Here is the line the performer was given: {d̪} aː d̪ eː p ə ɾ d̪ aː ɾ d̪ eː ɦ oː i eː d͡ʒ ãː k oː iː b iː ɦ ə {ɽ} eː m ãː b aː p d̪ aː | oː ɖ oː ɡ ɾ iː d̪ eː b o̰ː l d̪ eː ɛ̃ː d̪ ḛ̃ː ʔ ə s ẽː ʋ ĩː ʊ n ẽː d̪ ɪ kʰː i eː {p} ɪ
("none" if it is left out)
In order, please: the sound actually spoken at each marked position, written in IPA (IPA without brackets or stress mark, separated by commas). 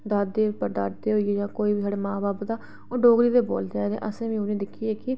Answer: d̪, ɽ, k